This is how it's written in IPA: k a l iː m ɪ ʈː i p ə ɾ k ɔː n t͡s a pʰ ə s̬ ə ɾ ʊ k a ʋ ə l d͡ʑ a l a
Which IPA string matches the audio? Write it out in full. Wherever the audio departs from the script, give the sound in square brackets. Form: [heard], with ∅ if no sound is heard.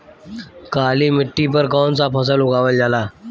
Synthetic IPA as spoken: k a l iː m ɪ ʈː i p ə ɾ k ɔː n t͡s a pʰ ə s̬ ə [l] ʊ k a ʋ ə l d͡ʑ a l a